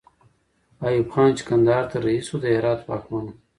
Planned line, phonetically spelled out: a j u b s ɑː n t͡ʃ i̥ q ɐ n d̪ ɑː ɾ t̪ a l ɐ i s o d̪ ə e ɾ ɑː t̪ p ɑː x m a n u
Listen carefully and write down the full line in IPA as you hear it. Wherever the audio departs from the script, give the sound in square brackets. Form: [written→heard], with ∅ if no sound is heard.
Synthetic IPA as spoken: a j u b [s→x] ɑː n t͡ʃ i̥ [q→k] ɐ n d̪ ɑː ɾ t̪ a [l→ɾ] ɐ i s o d̪ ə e ɾ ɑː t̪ p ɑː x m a n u